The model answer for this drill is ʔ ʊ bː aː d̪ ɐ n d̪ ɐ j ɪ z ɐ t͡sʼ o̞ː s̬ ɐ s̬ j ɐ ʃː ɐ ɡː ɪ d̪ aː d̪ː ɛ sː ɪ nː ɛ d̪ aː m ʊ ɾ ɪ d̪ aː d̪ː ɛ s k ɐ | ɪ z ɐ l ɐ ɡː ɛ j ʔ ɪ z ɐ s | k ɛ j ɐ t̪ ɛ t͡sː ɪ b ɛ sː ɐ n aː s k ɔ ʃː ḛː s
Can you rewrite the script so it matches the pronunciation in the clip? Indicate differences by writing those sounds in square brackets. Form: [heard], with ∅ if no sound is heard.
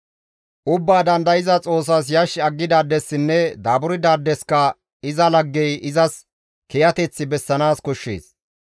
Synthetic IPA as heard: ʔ ʊ bː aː d̪ ɐ n d̪ ɐ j ɪ z ɐ t͡sʼ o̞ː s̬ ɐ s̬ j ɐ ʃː ɐ ɡː ɪ d̪ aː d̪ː ɛ sː ɪ nː ɛ d̪ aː [b] ʊ ɾ ɪ d̪ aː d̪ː ɛ s k ɐ | ɪ z ɐ l ɐ ɡː ɛ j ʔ ɪ z ɐ s | k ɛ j ɐ t̪ ɛ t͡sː ɪ b ɛ sː ɐ n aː s k ɔ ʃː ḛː s